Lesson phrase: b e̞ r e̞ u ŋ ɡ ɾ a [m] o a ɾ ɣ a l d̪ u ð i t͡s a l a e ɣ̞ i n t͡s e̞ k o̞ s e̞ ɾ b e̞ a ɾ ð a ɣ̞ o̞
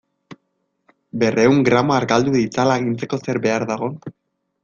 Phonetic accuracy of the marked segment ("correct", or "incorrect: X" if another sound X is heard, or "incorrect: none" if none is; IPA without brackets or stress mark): correct